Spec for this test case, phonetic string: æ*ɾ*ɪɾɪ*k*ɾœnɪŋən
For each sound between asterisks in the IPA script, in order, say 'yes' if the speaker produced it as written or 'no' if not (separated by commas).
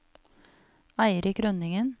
no, yes